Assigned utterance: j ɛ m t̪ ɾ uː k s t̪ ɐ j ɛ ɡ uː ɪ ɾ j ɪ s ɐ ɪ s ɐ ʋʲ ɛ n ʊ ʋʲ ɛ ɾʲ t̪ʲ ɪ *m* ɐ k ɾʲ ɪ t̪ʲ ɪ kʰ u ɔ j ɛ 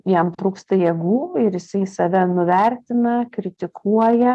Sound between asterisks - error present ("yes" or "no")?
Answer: yes